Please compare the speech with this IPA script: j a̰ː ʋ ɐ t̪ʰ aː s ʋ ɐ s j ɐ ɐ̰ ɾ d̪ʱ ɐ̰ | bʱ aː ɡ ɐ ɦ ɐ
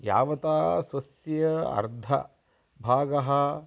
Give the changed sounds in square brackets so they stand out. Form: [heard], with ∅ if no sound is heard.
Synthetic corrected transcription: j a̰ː ʋ ɐ [t̪] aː s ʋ ɐ s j ɐ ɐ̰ ɾ d̪ʱ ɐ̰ | bʱ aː ɡ ɐ ɦ ɐ

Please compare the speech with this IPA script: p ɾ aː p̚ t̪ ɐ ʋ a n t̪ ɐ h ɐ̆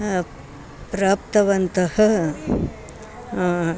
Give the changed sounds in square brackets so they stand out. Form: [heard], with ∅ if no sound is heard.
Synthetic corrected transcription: p ɾ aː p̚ t̪ ɐ ʋ [ɐ] n t̪ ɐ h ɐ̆

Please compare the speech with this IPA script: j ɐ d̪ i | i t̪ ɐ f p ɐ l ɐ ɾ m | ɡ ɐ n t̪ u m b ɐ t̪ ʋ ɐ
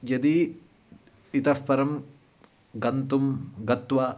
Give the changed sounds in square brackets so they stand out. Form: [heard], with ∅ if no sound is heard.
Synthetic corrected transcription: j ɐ d̪ i | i t̪ ɐ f p ɐ [ɾ] ɐ [∅] m | ɡ ɐ n t̪ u m [ɡ] ɐ t̪ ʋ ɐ

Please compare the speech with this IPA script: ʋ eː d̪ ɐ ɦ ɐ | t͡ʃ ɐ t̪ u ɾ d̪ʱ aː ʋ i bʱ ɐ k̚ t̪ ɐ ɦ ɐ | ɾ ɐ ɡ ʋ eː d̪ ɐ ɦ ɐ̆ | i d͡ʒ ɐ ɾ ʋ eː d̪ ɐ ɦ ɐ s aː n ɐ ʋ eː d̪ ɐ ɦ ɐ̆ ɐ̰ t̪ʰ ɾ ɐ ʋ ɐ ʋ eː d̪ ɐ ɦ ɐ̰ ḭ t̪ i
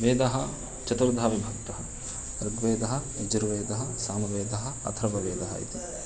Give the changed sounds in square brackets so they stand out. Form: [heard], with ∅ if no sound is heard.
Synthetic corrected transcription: ʋ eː d̪ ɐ ɦ ɐ | t͡ʃ ɐ t̪ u ɾ d̪ʱ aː ʋ i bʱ ɐ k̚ t̪ ɐ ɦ ɐ | ɾ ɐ ɡ ʋ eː d̪ ɐ ɦ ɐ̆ | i d͡ʒ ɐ ɾ ʋ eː d̪ ɐ ɦ ɐ s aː n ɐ ʋ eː d̪ ɐ ɦ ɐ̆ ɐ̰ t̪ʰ ɾ ɐ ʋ ɐ ʋ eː d̪ ɐ ɦ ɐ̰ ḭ t̪ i

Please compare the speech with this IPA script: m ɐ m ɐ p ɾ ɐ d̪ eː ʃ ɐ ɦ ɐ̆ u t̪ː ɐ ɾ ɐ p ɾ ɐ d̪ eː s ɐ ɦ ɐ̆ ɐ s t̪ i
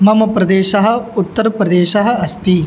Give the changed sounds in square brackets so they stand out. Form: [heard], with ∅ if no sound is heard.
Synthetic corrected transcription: m ɐ m ɐ p ɾ ɐ d̪ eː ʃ ɐ ɦ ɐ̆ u t̪ː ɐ ɾ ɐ p ɾ ɐ d̪ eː [ʃ] ɐ ɦ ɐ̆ ɐ s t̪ i

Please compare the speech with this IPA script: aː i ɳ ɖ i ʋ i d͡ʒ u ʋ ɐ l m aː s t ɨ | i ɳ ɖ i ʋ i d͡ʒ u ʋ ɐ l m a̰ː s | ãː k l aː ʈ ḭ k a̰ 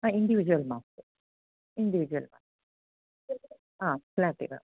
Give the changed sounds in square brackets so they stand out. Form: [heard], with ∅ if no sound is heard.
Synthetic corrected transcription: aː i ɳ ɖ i ʋ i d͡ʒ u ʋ ɐ l m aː s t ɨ | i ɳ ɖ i ʋ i d͡ʒ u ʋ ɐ l m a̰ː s | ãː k l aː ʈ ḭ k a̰

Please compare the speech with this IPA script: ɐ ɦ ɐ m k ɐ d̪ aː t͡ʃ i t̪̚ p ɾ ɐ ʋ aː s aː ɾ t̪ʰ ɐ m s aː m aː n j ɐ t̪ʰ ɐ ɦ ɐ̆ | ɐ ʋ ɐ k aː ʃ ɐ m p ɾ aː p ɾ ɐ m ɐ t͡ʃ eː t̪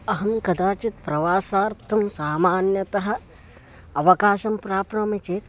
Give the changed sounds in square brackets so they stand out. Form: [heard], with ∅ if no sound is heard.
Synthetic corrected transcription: ɐ ɦ ɐ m k ɐ d̪ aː t͡ʃ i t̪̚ p ɾ ɐ ʋ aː s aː ɾ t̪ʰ ɐ m s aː m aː n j ɐ [t̪] ɐ ɦ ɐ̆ | ɐ ʋ ɐ k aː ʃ ɐ m p ɾ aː p ɾ ɐ m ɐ t͡ʃ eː t̪

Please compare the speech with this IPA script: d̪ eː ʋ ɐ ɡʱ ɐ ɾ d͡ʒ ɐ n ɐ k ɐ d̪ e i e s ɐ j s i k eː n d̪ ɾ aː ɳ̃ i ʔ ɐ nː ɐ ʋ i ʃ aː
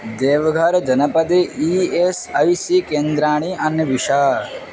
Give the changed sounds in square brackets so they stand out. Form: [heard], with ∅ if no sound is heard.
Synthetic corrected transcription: d̪ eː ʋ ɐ ɡʱ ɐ ɾ d͡ʒ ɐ n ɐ [p] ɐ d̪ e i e s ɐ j s i k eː n d̪ ɾ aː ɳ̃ i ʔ ɐ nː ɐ ʋ i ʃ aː

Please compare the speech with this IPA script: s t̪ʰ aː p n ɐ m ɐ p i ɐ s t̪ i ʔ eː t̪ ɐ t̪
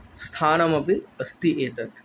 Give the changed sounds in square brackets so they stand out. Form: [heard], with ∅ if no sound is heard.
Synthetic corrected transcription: s t̪ʰ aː [∅] n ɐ m ɐ p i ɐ s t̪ i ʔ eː t̪ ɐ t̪

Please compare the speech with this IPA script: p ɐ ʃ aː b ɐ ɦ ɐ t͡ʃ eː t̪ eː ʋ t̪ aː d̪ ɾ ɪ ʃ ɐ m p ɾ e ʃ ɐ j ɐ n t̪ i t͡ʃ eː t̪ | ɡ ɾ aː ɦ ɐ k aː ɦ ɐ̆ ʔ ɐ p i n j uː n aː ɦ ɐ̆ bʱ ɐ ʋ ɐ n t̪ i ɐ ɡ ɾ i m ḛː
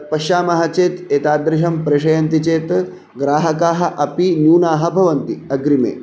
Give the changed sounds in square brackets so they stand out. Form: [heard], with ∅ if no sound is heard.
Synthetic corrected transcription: p ɐ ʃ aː [m] ɐ ɦ ɐ t͡ʃ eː t̪ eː [∅] t̪ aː d̪ ɾ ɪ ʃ ɐ m p ɾ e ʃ ɐ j ɐ n t̪ i t͡ʃ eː t̪ | ɡ ɾ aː ɦ ɐ k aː ɦ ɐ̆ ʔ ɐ p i n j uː n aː ɦ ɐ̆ bʱ ɐ ʋ ɐ n t̪ i ɐ ɡ ɾ i m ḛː

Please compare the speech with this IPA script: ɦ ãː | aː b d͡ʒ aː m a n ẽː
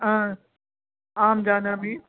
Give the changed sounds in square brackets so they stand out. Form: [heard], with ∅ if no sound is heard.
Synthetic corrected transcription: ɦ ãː | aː [m] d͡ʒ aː [n] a [m] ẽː

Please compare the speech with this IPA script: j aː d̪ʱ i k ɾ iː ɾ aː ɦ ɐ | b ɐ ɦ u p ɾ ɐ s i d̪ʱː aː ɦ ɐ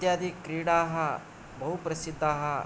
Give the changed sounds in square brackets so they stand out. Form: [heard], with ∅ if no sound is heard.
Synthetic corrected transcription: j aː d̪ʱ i k ɾ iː [ɽ] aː ɦ ɐ | b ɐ ɦ u p ɾ ɐ s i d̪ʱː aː ɦ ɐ

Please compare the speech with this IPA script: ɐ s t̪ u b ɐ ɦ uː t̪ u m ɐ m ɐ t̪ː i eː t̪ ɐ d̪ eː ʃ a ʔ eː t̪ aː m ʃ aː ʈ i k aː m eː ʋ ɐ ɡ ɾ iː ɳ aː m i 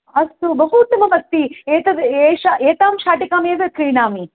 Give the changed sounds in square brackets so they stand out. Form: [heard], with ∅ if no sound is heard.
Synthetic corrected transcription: ɐ s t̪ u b ɐ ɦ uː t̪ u m ɐ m ɐ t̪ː i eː t̪ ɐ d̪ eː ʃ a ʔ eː t̪ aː m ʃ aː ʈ i k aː m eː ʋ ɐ [k] ɾ iː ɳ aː m i

